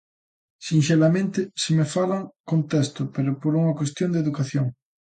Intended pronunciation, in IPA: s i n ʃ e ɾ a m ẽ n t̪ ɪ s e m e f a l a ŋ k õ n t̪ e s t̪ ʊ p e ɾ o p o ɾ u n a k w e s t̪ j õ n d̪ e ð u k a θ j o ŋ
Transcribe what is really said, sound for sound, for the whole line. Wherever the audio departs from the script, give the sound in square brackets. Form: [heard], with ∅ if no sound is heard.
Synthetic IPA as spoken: s i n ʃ e [l] a m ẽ n t̪ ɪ s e m e f a l a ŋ k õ n t̪ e s t̪ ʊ p e ɾ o p o ɾ u [ŋ] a k w e s t̪ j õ n d̪ e ð u k a θ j o ŋ